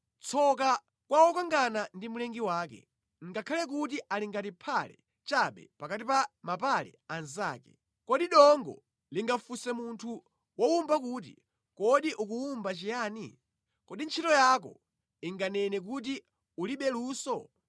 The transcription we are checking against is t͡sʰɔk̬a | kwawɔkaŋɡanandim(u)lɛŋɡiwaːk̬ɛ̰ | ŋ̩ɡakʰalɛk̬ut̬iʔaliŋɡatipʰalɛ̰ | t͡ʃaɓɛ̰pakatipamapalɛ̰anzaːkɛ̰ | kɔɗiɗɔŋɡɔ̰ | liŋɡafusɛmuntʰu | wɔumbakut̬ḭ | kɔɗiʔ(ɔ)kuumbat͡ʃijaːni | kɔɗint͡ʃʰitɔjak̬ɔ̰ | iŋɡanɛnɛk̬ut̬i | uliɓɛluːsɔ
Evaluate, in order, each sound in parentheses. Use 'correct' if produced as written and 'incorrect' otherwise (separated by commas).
correct, incorrect